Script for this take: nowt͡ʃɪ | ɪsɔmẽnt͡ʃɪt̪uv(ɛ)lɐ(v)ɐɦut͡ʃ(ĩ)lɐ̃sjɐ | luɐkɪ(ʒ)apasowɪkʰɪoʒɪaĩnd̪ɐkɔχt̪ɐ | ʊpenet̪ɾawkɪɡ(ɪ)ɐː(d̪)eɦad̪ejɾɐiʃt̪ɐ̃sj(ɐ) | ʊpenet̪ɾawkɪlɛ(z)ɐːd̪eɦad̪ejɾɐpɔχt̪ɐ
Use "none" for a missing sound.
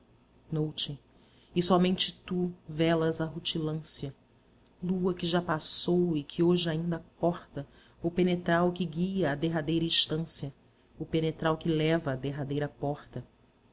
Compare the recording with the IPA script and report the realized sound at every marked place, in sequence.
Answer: ɛ, z, i, ʒ, i, d̪, ɐ, v

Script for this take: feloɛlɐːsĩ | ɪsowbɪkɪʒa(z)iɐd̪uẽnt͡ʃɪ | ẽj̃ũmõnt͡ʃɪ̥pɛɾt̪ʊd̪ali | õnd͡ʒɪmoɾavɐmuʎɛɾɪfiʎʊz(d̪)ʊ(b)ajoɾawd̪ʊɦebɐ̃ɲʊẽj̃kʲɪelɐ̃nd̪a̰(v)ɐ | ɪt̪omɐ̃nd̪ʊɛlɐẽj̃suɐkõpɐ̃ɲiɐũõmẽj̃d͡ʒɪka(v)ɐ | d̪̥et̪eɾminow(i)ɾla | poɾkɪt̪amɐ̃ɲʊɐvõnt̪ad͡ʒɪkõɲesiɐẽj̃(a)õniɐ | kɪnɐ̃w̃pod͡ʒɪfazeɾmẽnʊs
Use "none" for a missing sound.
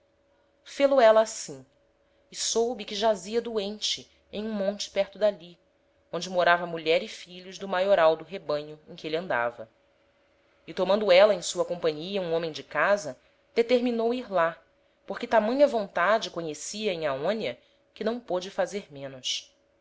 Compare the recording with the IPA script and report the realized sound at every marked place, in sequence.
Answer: z, d̪, m, v, z, i, a

